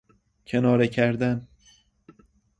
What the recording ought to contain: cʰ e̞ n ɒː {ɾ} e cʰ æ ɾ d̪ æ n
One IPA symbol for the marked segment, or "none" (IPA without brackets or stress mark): ɾ